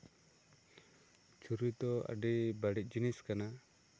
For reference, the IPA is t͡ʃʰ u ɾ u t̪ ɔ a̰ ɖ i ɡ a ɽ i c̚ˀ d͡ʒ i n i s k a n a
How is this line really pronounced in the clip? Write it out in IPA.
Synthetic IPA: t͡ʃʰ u ɾ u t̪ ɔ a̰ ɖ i b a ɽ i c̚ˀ d͡ʒ i n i s k a n a